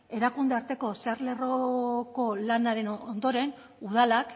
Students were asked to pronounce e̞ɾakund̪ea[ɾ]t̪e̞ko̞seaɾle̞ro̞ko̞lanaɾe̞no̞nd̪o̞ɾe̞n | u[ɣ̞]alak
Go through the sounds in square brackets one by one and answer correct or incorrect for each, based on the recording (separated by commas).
correct, incorrect